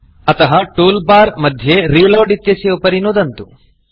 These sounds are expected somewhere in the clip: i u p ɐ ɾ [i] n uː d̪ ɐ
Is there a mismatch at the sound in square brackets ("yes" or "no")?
no